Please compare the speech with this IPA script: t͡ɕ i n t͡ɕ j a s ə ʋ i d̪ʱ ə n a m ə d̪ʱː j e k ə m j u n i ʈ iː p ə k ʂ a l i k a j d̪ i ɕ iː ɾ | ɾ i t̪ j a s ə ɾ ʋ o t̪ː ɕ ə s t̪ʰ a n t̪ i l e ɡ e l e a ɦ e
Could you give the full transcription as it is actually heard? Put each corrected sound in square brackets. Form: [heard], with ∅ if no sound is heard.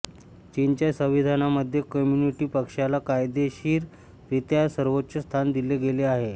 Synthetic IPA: t͡ɕ i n t͡ɕ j a s ə ʋ i d̪ʱ [a] n a m ə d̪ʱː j e k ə m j u n i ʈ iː p ə k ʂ a l [a] k a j d̪ [e] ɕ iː ɾ | ɾ i t̪ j a s ə ɾ ʋ o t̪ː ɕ ə s t̪ʰ a n [d̪] i l e ɡ e l e a ɦ e